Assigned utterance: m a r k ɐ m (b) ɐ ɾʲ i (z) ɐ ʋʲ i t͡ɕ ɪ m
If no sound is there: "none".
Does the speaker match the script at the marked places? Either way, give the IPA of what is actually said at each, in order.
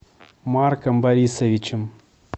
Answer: b, s

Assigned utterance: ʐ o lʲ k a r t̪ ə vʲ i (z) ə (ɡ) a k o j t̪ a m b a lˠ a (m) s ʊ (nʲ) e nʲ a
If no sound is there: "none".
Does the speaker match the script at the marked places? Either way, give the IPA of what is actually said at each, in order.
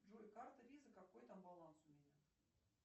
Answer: z, k, n, mʲ

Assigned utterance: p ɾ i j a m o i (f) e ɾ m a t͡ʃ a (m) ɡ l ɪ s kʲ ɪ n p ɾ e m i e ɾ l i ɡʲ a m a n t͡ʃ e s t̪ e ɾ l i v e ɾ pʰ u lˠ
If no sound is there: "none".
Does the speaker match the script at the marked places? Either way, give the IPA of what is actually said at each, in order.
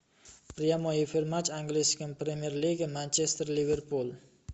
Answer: f, ŋ

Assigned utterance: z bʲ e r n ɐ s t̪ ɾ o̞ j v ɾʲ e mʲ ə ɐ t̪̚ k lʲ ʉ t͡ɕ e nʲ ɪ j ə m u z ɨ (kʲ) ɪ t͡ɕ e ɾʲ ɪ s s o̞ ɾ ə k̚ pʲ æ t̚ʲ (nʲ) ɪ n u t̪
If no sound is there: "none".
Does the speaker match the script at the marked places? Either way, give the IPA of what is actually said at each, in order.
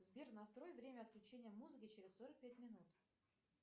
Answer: kʲ, mʲ

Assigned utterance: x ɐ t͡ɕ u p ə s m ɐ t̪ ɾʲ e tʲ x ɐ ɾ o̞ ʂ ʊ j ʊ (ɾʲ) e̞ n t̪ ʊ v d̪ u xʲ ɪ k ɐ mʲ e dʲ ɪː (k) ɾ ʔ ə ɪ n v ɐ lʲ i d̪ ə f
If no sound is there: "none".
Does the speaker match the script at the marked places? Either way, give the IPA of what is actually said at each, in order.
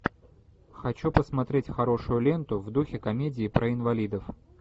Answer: lʲ, p

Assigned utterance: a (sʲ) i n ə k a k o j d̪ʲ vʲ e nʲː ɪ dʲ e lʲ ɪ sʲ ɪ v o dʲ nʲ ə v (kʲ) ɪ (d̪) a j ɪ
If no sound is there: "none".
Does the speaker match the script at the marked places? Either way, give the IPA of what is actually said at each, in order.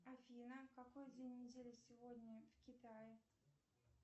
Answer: fʲ, kʲ, t̪

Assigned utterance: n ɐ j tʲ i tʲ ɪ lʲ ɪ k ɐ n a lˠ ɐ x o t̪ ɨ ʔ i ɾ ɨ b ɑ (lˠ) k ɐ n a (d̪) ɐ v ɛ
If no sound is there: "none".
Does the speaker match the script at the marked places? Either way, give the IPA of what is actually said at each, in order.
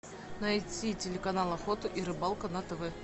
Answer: lˠ, t̪

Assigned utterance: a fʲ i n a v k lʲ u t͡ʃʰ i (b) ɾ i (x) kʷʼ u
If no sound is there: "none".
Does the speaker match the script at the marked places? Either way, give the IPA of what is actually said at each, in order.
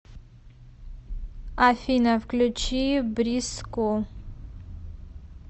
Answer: b, s

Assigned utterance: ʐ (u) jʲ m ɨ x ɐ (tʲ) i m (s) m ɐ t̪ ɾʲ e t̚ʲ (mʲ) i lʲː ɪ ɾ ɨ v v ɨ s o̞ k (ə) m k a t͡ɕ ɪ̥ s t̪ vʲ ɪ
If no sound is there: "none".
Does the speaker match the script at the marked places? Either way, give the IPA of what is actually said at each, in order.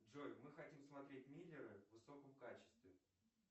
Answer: o, tʲ, s, mʲ, ə

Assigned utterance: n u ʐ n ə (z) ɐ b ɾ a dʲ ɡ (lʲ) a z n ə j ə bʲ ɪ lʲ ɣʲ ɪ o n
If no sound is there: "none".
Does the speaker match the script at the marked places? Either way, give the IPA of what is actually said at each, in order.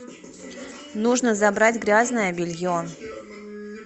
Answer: z, ɾʲ

